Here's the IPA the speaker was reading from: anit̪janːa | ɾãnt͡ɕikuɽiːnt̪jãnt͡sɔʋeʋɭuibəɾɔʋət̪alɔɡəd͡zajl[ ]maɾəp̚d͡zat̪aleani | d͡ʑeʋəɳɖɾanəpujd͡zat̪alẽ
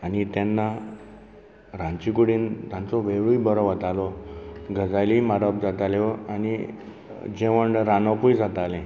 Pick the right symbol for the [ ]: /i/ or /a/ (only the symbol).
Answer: i